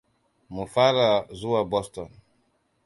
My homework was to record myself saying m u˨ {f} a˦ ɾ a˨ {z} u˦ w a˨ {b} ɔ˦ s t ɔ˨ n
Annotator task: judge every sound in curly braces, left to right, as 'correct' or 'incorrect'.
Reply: correct, correct, correct

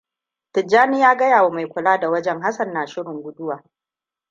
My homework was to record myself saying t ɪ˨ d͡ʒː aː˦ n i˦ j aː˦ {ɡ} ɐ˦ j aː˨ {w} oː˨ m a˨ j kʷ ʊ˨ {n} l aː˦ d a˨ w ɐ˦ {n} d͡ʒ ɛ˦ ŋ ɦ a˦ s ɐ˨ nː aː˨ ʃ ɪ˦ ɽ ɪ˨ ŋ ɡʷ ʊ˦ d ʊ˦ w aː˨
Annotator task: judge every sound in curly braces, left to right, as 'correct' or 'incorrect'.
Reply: correct, correct, incorrect: none, incorrect: none

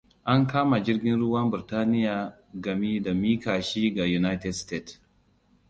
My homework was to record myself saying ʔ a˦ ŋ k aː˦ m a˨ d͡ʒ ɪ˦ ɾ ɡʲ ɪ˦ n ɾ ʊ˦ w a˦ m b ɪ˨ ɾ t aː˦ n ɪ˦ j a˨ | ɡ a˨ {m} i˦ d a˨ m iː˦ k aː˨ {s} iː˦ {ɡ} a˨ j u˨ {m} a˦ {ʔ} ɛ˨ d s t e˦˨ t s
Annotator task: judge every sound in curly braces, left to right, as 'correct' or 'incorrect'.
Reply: correct, incorrect: ʃ, correct, incorrect: n, incorrect: t

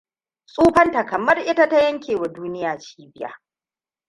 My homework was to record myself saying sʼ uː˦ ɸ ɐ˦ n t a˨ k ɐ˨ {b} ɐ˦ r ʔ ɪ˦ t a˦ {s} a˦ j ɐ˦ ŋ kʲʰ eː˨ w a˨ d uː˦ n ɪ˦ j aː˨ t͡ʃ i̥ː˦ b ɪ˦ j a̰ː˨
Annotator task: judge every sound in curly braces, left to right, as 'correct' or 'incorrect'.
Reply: incorrect: m, incorrect: t

